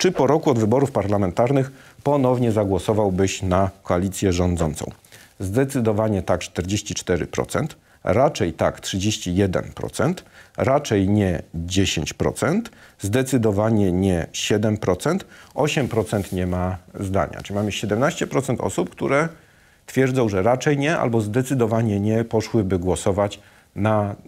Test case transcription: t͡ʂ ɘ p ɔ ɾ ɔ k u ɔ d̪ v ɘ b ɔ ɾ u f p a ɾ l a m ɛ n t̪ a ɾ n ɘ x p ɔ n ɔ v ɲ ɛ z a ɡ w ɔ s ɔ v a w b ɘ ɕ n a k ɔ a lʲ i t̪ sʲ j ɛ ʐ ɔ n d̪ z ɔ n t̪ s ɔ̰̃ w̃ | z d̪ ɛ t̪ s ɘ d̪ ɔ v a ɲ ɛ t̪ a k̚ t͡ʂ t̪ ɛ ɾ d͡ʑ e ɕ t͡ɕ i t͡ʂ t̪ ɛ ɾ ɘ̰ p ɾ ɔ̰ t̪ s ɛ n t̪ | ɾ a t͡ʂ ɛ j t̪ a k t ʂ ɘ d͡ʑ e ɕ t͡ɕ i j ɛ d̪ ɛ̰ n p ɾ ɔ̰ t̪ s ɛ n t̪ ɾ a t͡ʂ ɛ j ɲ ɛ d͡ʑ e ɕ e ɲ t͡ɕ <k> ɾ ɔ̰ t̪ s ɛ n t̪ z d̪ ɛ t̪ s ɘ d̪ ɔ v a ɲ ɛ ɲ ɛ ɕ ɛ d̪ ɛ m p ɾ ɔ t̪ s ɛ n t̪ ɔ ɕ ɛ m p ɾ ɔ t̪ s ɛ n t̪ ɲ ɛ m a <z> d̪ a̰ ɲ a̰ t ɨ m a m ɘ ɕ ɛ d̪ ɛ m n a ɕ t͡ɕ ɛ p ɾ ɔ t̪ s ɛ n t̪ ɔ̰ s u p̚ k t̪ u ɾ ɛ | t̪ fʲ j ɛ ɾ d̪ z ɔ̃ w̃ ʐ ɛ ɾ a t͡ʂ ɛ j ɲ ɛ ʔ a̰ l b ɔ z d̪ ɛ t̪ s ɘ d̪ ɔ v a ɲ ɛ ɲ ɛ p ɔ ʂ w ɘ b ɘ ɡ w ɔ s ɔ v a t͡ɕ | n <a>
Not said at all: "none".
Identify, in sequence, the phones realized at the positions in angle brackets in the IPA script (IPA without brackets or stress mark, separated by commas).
p, z, a